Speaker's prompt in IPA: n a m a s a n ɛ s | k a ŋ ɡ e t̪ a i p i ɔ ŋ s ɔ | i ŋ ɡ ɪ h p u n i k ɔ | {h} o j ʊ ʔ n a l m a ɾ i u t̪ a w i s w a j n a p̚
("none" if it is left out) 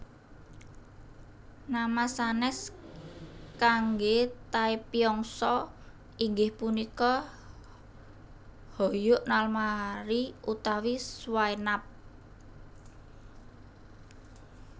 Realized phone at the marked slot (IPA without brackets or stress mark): h